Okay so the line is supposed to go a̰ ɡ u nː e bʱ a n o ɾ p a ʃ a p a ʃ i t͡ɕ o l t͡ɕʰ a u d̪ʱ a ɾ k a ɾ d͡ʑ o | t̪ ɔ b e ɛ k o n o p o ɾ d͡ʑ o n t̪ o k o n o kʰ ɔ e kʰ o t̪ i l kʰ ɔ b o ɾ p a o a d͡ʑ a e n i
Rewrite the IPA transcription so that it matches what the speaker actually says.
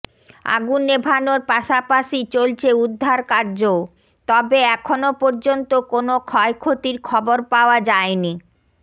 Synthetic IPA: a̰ ɡ u nː e bʱ a n o ɾ p a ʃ a p a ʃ i t͡ɕ o l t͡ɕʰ e u d̪ʱː a ɾ k a ɾ d͡ʑ o | t̪ ɔ b e ɛ kʰ o n o p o ɾ d͡ʑ o n t̪ o k o n o kʰ ɔ e kʰ o t̪ i ɾ kʰ ɔ b o ɾ p a o a d͡ʑ a e n i